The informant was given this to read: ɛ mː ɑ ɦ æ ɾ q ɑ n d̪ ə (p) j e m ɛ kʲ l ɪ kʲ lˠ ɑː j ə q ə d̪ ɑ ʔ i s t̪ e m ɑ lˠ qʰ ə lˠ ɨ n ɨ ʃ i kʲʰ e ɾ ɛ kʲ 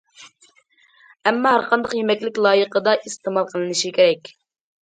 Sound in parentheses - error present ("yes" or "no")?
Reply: yes